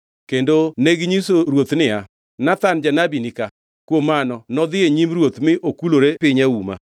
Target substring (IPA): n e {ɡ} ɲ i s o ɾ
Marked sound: correct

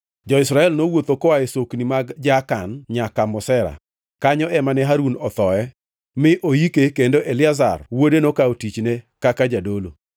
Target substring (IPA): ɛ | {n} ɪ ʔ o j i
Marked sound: incorrect: m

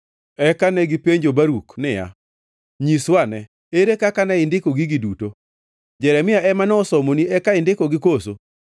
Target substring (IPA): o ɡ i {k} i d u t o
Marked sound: incorrect: ɡ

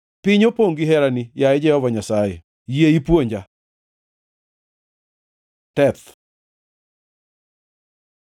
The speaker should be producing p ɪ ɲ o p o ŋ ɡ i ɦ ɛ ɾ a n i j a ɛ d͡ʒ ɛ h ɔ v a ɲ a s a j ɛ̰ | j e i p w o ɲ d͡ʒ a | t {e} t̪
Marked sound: incorrect: ɛ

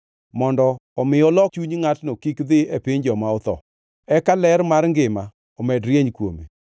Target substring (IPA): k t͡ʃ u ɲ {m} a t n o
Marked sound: incorrect: ŋ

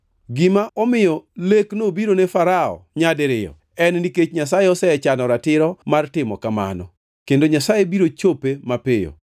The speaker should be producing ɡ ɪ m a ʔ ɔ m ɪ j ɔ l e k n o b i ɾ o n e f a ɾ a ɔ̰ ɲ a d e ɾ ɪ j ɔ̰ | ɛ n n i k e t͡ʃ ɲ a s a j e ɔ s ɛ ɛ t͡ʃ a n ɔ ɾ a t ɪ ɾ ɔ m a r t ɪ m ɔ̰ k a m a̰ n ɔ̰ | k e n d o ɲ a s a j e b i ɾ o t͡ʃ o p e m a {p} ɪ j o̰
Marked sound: correct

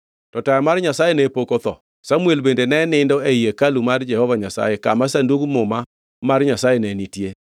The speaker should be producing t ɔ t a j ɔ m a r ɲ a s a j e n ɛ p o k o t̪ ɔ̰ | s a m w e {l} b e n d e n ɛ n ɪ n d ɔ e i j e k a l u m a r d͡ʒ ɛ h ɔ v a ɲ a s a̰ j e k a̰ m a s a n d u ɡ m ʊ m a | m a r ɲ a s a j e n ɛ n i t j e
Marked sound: correct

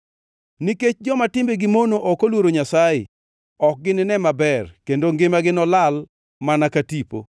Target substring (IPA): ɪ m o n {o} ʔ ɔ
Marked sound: correct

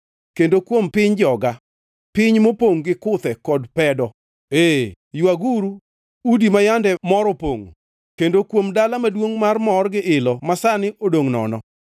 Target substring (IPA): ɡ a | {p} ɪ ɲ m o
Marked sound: correct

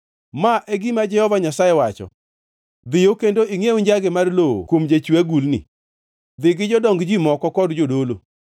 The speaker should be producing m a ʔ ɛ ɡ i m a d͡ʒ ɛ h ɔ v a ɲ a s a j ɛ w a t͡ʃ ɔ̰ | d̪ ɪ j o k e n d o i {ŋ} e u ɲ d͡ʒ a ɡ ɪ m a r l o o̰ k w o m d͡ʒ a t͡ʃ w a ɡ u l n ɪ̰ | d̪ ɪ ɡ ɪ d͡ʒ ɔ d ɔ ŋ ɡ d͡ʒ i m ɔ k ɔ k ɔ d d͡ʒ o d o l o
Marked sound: correct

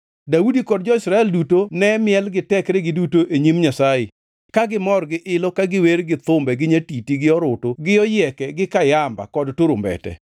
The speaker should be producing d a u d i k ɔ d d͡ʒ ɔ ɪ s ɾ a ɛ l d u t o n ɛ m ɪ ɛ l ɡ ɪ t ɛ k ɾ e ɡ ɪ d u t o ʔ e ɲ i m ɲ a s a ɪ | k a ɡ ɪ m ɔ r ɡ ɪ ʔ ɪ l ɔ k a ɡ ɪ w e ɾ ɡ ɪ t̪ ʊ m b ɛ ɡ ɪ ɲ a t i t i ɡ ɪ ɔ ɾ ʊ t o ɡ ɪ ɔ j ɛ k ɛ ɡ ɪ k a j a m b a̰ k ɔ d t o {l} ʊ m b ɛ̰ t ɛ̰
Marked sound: incorrect: ɾ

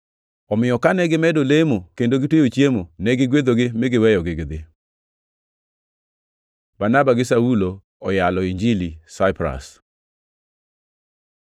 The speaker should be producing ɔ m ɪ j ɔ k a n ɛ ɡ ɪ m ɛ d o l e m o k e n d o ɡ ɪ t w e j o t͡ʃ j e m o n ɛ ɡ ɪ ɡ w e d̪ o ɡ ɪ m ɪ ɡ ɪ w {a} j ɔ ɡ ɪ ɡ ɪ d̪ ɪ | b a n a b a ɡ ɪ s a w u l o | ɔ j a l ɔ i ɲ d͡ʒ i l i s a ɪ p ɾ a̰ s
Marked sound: incorrect: ɛ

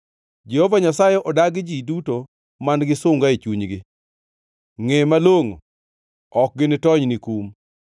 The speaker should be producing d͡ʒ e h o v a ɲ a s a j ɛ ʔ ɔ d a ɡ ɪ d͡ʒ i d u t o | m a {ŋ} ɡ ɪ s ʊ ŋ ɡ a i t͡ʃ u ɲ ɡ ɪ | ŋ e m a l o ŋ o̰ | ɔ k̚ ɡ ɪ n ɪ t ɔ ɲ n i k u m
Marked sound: incorrect: n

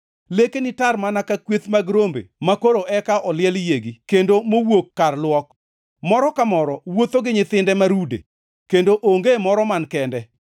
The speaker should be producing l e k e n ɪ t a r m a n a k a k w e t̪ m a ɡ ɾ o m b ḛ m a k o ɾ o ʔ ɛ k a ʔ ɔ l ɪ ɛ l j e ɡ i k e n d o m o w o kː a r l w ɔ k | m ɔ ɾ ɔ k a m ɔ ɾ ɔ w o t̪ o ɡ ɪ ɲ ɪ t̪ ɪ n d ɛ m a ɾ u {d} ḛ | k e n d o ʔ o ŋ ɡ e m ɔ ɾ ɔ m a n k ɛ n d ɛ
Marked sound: correct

